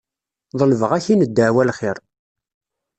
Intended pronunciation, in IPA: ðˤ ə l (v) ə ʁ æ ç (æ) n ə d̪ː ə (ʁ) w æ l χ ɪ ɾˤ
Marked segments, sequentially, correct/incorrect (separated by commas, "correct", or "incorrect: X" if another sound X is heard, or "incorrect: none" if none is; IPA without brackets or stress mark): correct, incorrect: i, incorrect: ʕ